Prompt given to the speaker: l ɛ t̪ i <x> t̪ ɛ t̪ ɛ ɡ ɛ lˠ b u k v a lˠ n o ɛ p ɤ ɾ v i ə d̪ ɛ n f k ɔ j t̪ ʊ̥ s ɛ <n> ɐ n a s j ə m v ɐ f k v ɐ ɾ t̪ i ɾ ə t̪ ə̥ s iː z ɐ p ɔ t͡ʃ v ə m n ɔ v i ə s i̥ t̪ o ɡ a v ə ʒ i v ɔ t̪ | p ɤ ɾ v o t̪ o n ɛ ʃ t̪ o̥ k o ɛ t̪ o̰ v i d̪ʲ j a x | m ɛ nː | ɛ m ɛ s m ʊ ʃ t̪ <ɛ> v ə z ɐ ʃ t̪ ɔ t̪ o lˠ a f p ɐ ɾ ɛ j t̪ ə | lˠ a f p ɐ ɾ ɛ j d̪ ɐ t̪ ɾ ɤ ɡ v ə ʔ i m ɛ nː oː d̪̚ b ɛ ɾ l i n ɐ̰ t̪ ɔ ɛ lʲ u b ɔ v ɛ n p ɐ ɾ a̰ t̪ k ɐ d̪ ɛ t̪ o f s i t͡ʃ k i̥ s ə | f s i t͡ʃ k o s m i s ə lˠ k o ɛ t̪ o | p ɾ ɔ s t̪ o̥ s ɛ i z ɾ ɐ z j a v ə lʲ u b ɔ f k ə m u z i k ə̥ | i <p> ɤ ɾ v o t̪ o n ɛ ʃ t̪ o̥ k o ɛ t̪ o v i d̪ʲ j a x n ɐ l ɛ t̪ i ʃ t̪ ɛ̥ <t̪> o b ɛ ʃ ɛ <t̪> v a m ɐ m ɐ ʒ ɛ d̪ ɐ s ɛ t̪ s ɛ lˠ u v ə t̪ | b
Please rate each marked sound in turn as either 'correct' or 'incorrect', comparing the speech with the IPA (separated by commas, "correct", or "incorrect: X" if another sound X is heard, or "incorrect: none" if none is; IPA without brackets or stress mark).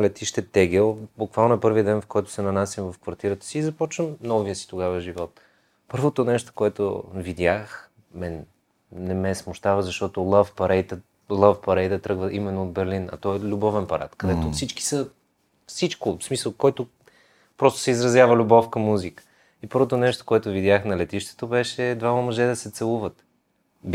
incorrect: ʃ, correct, incorrect: a, correct, correct, incorrect: d̪